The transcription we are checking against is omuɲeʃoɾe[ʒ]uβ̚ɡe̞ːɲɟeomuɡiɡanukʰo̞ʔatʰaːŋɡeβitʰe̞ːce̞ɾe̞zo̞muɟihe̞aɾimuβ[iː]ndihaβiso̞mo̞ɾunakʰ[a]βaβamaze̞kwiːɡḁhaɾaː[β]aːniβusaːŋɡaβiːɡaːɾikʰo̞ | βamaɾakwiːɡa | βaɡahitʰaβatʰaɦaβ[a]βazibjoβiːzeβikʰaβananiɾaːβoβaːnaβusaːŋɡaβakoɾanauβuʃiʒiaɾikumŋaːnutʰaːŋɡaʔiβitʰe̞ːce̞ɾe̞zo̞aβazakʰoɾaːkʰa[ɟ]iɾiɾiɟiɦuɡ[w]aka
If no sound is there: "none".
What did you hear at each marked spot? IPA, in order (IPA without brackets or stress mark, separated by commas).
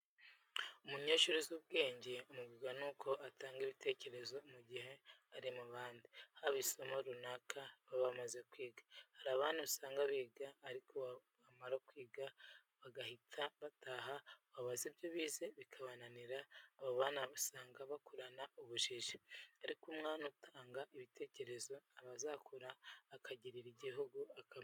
z, aː, a, β, a, ɟ, u